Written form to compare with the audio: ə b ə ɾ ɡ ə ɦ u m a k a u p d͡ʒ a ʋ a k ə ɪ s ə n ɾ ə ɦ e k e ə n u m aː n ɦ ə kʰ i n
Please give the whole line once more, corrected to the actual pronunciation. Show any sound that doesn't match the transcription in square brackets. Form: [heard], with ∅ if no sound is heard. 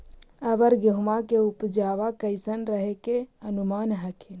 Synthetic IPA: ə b ə ɾ ɡ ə ɦ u m a k [e] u p d͡ʒ a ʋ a k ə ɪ s ə n ɾ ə ɦ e k e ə n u m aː n ɦ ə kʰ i n

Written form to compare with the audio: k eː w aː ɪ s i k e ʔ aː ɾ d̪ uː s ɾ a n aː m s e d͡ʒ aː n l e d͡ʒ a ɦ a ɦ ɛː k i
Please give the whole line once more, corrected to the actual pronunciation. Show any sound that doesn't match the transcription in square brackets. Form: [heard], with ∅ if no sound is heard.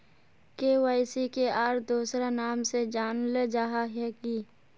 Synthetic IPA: k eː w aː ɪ s i k e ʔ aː ɾ d̪ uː s ɾ a n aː m s e d͡ʒ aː n l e d͡ʒ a ɦ a ɦ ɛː k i

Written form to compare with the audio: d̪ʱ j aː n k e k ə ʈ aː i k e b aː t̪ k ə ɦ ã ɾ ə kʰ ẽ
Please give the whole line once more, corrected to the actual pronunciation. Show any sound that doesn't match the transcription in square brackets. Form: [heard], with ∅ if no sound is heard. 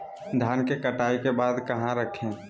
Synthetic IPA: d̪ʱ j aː n k e k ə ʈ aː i k e b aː [d̪] k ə ɦ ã ɾ ə kʰ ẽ

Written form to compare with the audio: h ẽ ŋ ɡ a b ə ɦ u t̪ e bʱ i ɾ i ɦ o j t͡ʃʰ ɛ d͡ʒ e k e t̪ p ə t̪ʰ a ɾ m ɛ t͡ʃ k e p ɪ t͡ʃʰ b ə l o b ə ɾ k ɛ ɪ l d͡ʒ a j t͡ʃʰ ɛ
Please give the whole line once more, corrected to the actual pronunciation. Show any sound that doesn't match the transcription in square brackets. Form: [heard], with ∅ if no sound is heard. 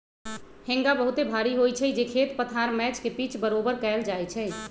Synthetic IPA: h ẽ ŋ ɡ a b ə ɦ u t̪ e bʱ [a] ɾ i ɦ o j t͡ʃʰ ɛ d͡ʒ e [kʰ] e t̪ p ə t̪ʰ a ɾ m ɛ t͡ʃ k e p [i] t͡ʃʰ b ə [ɾ] o b ə ɾ k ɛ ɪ l d͡ʒ a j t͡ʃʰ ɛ

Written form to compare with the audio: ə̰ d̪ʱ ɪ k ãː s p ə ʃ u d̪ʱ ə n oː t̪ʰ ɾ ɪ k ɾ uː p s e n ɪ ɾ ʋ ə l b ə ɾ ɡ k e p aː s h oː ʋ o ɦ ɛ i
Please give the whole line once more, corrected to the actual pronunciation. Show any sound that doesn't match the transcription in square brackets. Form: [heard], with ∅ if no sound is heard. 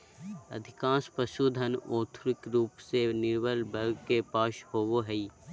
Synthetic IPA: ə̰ d̪ʱ ɪ k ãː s p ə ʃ u d̪ʱ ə n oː t̪ʰ ɾ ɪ k ɾ uː p s e n ɪ ɾ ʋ ə l b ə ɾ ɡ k e p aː [ʃ] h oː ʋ o ɦ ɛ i

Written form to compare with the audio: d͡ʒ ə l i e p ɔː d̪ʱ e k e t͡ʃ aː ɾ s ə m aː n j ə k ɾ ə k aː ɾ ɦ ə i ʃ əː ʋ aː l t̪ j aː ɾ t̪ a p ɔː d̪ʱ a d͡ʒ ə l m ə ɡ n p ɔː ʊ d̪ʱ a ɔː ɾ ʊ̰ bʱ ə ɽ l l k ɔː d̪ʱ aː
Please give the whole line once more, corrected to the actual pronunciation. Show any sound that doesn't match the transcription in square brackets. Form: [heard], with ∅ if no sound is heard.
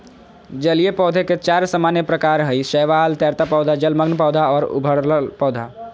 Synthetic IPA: d͡ʒ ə l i e p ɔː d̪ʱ e k e t͡ʃ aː ɾ s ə m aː n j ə [p] ɾ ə k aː ɾ ɦ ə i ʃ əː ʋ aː l t̪ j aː ɾ t̪ a p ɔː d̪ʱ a d͡ʒ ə l m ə ɡ n p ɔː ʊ d̪ʱ a ɔː ɾ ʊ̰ bʱ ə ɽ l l [p] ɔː d̪ʱ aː

